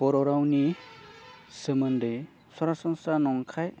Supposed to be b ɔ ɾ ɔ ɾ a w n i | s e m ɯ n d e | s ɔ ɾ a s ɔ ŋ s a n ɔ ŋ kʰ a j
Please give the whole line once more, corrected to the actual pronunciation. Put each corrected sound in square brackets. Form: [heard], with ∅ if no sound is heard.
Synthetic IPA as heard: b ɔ ɾ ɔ ɾ a w n i | s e m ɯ n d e | s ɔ ɾ a s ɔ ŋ s a n ɔ ŋ kʰ a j